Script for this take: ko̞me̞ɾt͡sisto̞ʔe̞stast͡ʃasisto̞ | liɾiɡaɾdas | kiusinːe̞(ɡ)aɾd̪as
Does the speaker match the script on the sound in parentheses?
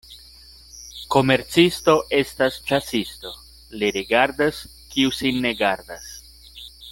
yes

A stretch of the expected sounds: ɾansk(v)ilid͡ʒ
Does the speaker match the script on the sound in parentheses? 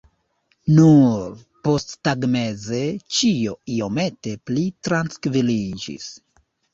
yes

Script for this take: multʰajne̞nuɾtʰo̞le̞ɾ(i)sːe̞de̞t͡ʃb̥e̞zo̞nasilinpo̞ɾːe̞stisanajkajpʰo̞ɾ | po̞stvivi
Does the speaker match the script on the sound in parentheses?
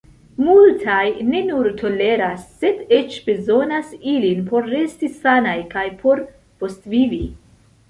no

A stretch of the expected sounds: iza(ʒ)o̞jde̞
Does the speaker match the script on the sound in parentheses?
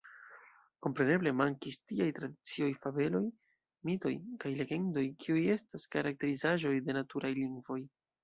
yes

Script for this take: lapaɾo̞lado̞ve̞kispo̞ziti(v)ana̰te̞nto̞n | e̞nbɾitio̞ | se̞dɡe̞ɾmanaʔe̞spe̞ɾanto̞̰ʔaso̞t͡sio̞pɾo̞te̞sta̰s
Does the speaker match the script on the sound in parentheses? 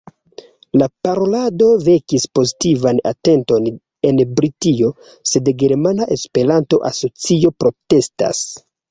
yes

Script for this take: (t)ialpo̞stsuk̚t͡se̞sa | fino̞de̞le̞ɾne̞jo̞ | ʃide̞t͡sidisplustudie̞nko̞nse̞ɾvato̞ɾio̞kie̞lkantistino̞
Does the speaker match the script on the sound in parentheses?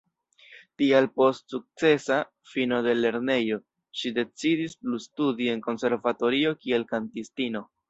yes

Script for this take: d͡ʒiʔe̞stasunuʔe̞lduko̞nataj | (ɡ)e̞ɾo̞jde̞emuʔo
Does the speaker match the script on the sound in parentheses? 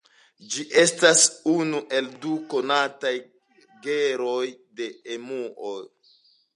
yes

